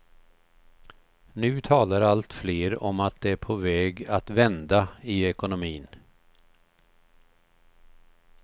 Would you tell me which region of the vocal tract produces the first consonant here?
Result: tongue tip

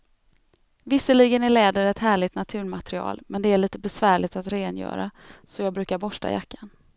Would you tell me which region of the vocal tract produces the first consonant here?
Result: lips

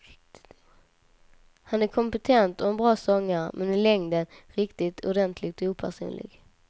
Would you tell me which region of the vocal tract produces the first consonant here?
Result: throat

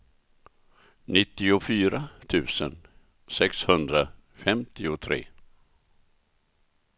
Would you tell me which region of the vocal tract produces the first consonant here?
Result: tongue tip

